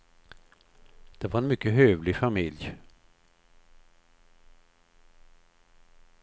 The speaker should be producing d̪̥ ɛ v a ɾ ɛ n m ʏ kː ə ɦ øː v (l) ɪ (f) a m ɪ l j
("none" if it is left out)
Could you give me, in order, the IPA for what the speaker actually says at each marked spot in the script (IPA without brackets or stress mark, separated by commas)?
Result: l, f